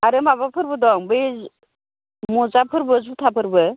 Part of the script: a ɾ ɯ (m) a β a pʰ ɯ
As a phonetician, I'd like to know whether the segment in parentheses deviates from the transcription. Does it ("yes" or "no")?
no